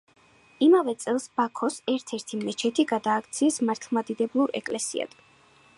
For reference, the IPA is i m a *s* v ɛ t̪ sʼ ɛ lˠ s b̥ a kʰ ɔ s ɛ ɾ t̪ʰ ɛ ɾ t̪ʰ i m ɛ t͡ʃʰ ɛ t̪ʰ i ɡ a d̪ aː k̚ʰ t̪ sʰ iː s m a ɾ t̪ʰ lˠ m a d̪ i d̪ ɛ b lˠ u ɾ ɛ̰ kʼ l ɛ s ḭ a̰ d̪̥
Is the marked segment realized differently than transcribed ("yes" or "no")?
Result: yes